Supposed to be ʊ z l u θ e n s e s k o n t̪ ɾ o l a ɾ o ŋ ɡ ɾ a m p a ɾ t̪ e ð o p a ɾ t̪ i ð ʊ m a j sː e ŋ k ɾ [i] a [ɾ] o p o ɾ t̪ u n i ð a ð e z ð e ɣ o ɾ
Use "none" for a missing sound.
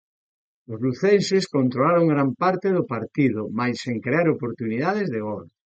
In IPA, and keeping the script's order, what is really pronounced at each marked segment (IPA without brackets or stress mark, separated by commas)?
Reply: e, ɾ